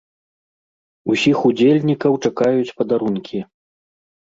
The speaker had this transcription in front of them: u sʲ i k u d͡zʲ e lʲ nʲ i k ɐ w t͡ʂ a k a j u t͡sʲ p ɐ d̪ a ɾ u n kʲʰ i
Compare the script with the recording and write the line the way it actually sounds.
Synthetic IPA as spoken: u sʲ i x u d͡zʲ e lʲ nʲ i k ɐ w t͡ʂ a k a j u t͡sʲ p ɐ d̪ a ɾ u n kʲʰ i